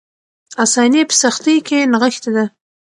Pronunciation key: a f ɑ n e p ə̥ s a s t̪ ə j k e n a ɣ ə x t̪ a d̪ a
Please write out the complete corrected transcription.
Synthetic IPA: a s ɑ n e p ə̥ s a x t̪ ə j k e n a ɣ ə x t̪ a d̪ a